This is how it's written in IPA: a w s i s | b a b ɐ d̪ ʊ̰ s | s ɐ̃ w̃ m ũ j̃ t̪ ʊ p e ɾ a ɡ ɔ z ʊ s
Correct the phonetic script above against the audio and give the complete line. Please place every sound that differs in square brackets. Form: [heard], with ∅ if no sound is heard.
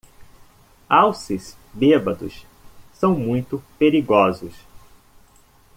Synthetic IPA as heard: a w s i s | b [e] b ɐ d̪ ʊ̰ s | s ɐ̃ w̃ m ũ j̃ t̪ ʊ p e ɾ [i] ɡ ɔ z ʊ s